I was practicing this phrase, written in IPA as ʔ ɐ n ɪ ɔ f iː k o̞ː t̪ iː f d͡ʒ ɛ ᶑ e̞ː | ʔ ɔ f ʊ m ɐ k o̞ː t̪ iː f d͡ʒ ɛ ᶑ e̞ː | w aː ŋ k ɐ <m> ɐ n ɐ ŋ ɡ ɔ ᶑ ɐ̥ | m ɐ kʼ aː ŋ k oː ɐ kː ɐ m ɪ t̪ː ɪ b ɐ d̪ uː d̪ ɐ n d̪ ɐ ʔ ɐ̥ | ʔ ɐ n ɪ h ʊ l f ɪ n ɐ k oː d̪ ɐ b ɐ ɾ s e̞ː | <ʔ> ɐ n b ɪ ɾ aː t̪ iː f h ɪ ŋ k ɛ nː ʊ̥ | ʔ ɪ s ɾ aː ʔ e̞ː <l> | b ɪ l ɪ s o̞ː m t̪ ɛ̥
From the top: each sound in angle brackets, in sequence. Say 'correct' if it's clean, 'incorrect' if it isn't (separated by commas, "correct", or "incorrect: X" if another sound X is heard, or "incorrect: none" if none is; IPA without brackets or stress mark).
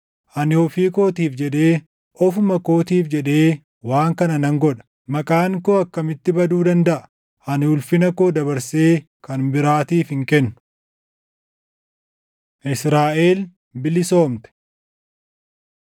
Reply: incorrect: n, incorrect: k, correct